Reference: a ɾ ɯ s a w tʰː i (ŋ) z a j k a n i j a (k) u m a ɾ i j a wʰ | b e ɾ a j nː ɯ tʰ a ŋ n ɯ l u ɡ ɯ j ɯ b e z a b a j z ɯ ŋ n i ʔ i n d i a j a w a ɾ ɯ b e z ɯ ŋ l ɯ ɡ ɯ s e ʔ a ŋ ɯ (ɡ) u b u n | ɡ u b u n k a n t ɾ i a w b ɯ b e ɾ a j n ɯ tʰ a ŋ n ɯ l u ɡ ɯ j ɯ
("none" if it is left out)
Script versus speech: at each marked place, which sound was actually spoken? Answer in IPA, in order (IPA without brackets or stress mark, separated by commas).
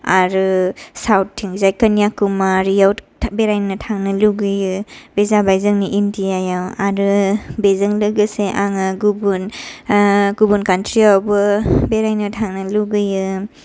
ŋ, k, ɡ